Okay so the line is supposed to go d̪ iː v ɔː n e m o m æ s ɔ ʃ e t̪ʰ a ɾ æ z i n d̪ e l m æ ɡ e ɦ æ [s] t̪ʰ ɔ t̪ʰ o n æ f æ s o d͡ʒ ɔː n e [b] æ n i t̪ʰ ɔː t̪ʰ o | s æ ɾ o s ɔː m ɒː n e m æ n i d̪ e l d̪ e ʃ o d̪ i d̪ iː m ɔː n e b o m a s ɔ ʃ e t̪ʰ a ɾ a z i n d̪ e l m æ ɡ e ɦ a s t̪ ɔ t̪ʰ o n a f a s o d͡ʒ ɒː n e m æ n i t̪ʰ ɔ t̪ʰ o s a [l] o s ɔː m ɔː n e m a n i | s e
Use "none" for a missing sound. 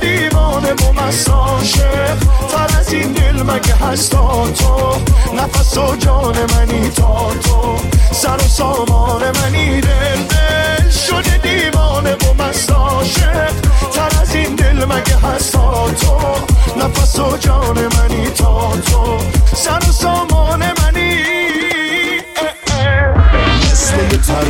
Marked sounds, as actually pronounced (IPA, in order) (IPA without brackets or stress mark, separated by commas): s, m, ɾ